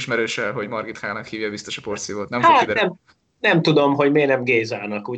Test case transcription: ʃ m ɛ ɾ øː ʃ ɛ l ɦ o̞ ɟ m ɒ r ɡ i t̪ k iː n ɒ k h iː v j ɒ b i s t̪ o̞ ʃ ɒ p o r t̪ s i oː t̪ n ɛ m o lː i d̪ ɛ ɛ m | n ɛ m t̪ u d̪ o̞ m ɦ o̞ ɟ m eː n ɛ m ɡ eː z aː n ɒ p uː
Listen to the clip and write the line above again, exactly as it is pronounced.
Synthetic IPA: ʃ m ɛ ɾ øː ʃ ɛ l ɦ o̞ ɟ m ɒ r ɡ i t̪ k aː n ɒ k h iː v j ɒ b i s t̪ o̞ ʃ ɒ p o r t̪ s i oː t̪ n ɛ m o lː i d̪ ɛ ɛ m | n ɛ m t̪ u d̪ o̞ m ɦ o̞ ɟ m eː n ɛ m ɡ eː z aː n ɒ k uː